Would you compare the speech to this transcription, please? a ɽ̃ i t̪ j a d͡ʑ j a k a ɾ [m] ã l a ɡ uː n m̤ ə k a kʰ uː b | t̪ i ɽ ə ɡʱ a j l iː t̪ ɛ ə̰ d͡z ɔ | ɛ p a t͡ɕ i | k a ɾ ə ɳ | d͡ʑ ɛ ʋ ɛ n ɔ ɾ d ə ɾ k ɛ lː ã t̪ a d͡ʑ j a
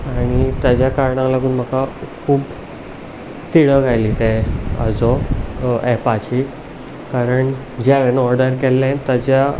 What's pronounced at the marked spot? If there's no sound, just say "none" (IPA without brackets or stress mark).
ɳ